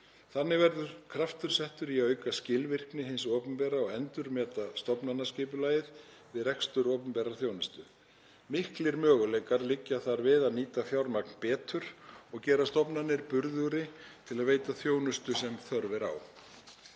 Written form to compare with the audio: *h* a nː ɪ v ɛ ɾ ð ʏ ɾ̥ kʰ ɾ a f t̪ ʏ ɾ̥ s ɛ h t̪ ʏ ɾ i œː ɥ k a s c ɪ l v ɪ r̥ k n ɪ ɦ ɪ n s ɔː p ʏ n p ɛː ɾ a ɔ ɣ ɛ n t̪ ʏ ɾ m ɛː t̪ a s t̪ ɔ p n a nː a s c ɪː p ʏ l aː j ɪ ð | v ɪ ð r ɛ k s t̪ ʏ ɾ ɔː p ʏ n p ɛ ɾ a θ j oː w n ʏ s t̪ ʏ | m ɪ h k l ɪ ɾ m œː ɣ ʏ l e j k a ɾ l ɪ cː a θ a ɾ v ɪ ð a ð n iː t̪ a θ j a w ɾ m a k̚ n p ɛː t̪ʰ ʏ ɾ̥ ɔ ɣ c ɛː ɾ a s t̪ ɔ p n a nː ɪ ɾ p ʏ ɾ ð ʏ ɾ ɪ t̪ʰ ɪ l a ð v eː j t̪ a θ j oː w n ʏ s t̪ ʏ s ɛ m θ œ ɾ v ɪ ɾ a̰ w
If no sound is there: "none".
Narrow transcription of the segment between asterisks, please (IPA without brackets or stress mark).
θ